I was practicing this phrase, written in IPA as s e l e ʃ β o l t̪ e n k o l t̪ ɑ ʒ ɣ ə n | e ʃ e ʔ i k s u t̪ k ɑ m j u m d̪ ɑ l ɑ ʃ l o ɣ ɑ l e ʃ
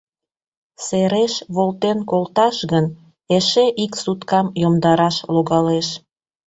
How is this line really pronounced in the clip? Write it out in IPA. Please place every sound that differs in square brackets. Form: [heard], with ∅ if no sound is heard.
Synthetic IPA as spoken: s e [ɾ] e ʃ β o l t̪ e n k o l t̪ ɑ [ʃ] ɣ ə n | e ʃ e ʔ i k s u t̪ k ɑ m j [o] m d̪ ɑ [ɾ] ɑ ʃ l o ɣ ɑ l e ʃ